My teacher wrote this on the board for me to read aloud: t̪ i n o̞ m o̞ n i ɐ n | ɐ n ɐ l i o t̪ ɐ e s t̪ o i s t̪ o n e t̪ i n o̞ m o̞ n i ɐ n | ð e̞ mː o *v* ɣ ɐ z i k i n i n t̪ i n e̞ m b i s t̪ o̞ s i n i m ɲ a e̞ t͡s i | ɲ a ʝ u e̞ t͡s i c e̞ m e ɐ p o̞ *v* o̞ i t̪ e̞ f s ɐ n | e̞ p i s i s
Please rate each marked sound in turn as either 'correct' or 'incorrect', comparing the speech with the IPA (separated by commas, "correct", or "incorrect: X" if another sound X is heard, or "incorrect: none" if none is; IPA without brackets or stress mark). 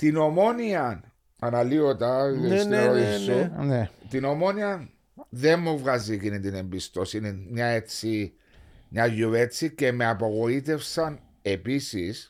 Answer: correct, incorrect: ɣ